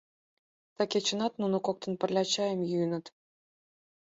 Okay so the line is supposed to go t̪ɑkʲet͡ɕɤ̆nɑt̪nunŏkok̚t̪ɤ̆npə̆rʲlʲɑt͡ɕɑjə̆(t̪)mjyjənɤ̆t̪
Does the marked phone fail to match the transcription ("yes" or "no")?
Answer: yes